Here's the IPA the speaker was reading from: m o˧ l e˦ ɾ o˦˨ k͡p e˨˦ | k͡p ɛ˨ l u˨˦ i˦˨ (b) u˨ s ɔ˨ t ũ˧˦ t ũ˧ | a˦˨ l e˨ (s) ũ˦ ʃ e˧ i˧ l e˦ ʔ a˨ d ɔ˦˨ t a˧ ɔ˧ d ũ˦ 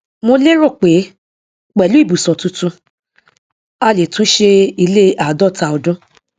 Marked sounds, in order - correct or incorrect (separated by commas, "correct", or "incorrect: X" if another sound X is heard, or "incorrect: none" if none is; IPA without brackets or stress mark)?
correct, incorrect: t